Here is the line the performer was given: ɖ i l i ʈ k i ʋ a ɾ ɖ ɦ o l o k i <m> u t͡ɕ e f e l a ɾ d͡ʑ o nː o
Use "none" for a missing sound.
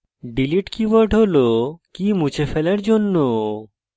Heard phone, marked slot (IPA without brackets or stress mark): m